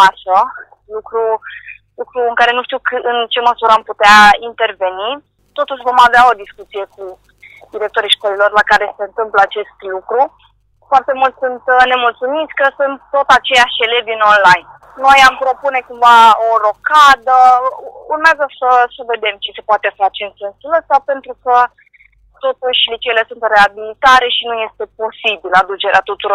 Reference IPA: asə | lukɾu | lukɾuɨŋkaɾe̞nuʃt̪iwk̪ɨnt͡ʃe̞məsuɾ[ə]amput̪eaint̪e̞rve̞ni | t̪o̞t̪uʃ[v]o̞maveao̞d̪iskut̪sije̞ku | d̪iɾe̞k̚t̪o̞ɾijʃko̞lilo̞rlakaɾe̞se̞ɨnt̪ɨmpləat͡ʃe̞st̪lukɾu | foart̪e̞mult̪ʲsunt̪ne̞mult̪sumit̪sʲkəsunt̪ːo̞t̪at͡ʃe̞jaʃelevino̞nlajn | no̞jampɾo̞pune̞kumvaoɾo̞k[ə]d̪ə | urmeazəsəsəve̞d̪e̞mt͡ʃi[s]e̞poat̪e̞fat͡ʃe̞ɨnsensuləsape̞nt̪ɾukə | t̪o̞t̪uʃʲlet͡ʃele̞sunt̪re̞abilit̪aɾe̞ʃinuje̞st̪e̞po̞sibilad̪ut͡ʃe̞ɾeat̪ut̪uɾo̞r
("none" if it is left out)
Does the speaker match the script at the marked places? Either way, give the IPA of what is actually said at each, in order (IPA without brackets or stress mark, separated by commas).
ə, v, a, s